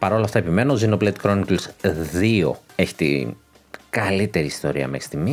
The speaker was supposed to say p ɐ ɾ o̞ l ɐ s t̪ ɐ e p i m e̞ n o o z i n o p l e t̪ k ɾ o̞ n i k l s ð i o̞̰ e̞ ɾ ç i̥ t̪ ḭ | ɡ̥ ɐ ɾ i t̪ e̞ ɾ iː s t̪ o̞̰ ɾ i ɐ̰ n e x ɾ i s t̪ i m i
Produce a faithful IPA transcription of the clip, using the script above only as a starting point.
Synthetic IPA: p ɐ ɾ o̞ l ɐ f t̪ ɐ e p i m e̞ n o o z i n o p l e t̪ k ɾ o̞ n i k l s ð i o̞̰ e̞ ç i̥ t̪ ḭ | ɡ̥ ɐ l i t̪ e̞ ɾ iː s t̪ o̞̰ ɾ i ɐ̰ m e x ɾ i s t̪ i m i